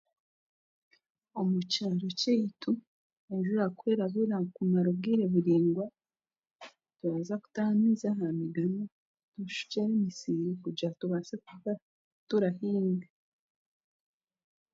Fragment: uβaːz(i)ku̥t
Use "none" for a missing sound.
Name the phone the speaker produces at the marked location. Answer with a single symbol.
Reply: a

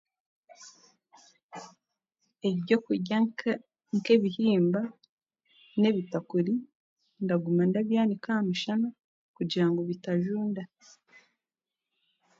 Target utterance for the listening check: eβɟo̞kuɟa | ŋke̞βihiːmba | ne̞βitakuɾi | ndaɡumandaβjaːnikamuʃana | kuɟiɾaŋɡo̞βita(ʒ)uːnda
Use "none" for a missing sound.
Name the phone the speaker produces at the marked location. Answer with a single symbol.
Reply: ʒ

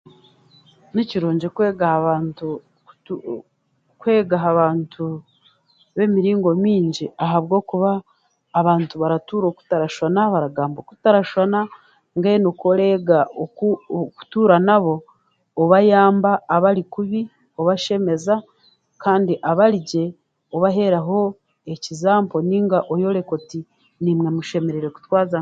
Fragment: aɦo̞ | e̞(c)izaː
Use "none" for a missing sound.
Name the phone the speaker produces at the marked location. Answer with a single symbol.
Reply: c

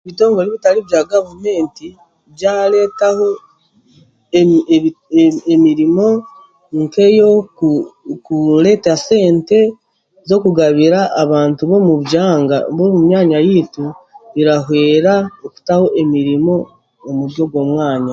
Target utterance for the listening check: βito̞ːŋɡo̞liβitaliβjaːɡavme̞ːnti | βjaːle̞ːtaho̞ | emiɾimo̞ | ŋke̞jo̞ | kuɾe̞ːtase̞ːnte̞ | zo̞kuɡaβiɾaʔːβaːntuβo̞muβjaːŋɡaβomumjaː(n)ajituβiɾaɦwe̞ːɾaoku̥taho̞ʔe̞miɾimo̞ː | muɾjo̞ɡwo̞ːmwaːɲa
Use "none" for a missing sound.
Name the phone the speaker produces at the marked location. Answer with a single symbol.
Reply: ɲ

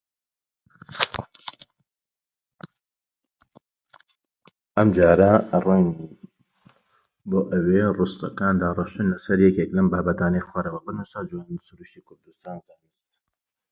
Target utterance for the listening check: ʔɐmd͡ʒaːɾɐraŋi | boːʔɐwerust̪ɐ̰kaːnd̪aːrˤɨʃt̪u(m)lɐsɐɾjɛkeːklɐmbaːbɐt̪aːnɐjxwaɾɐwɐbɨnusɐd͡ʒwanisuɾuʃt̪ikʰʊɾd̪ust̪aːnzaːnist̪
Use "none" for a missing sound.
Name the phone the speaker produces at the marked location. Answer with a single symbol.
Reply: n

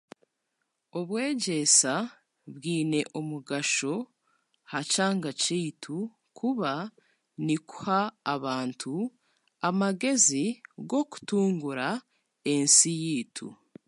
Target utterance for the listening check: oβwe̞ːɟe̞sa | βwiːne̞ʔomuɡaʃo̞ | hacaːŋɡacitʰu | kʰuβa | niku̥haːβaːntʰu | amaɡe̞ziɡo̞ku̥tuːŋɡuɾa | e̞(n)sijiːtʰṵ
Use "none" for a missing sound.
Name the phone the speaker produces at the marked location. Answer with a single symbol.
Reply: n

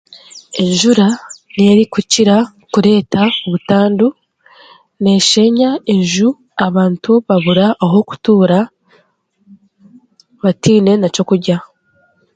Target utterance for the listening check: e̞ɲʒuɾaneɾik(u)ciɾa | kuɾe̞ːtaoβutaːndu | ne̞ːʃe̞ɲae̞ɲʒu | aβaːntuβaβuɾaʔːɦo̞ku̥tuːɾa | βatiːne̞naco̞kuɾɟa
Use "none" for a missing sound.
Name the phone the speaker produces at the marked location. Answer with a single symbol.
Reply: u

